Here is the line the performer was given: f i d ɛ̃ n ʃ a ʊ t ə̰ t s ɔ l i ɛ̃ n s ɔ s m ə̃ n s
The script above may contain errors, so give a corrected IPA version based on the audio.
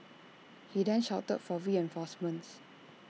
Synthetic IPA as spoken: h i d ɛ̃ n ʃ a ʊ t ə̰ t f ɔ ɹ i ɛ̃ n f ɔ s m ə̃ n s